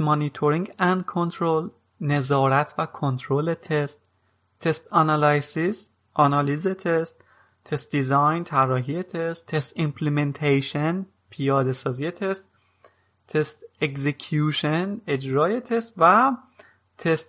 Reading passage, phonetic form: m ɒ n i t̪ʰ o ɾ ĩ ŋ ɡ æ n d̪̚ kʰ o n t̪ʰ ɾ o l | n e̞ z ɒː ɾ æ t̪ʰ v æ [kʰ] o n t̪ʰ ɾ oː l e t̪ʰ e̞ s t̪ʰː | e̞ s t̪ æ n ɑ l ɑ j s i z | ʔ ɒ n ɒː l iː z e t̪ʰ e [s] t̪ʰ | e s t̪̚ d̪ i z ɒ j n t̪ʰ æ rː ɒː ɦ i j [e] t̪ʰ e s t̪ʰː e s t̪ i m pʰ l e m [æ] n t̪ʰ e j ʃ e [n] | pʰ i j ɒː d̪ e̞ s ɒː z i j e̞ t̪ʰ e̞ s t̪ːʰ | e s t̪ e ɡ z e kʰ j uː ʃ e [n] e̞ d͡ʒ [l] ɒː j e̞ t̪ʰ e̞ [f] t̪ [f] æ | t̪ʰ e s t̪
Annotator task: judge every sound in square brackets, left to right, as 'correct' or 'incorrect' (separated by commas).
correct, correct, correct, incorrect, correct, correct, incorrect, incorrect, incorrect